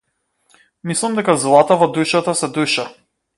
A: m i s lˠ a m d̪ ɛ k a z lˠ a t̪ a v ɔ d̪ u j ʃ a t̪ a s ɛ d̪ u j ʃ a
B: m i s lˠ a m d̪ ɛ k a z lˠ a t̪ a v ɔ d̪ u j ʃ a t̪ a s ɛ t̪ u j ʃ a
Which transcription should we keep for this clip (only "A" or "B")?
A